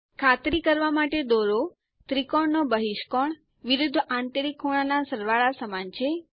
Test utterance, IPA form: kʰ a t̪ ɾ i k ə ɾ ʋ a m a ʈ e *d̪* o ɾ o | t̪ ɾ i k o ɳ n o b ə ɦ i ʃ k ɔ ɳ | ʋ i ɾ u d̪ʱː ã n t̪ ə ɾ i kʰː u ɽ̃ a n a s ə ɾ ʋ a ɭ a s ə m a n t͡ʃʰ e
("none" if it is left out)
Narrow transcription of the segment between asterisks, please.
d̪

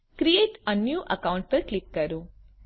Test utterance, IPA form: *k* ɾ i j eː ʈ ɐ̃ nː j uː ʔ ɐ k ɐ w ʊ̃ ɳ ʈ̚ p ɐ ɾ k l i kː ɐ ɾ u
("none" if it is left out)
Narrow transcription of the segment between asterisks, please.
k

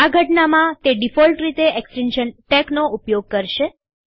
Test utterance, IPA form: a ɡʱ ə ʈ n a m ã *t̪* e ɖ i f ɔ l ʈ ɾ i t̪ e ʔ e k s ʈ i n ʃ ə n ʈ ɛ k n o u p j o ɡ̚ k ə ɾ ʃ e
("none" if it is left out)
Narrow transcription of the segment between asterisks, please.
t̪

